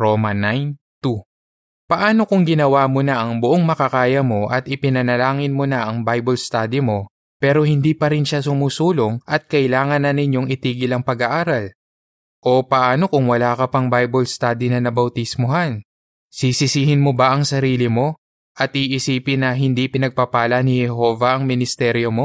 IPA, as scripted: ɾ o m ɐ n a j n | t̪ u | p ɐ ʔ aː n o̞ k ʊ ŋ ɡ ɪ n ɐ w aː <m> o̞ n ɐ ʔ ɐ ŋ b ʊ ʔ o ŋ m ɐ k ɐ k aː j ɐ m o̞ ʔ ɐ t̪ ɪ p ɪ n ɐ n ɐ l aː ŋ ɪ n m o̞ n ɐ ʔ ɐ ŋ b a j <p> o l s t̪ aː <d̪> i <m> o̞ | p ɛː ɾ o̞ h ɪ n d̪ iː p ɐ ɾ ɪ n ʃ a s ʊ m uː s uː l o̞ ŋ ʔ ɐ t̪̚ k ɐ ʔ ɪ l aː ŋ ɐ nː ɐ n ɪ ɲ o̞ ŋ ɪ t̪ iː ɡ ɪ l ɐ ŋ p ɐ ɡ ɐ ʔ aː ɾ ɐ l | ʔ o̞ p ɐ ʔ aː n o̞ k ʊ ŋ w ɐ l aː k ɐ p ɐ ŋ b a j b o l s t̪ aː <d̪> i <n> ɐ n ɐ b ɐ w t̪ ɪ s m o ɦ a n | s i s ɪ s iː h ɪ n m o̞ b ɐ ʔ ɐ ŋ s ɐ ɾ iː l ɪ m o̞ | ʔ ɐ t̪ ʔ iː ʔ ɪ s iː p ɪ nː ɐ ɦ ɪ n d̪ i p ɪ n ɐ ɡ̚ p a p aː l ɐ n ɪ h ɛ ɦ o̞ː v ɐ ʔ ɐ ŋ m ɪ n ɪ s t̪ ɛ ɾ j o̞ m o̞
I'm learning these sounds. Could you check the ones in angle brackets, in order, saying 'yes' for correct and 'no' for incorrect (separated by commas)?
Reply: yes, no, yes, yes, yes, yes